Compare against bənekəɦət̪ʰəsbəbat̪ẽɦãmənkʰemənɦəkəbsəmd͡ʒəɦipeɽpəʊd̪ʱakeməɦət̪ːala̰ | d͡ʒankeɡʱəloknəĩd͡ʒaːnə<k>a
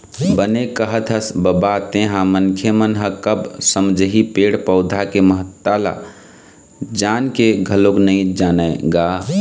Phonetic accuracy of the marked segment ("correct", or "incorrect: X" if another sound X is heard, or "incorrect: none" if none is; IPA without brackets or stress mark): incorrect: ɡ